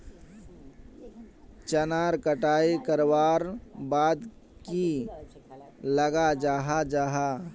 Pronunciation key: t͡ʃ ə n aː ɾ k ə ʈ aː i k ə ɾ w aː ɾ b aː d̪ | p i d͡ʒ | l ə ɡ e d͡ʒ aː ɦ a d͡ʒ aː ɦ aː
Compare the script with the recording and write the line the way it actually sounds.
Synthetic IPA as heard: t͡ʃ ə n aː ɾ k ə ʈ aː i k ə ɾ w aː ɾ b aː d̪ | k i | l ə ɡ a d͡ʒ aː ɦ a d͡ʒ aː ɦ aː